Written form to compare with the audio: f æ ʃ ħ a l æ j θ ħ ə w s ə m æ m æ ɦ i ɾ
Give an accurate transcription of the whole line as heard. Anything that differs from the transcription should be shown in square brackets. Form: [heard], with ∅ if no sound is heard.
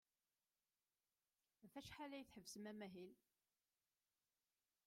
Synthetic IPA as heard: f æ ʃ ħ a l æ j θ ħ ə [v] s ə m æ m æ ɦ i [l]